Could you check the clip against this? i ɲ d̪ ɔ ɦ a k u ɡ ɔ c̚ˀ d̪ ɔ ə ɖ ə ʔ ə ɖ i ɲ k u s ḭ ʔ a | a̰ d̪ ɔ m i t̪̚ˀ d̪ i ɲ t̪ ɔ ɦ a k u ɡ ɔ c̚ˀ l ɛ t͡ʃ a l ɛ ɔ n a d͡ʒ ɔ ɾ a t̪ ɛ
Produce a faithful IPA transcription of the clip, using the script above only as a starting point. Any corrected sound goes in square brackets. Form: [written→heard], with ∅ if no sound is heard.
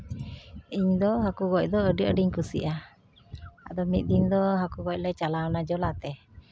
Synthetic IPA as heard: i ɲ d̪ ɔ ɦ a k u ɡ ɔ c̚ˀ d̪ ɔ ə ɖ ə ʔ ə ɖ i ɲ k u s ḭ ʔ a | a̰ d̪ ɔ m i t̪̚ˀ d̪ i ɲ [t̪→d̪] ɔ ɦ a k u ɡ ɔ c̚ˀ l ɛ t͡ʃ a l [ɛ→a] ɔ n a d͡ʒ ɔ [ɾ→l] a t̪ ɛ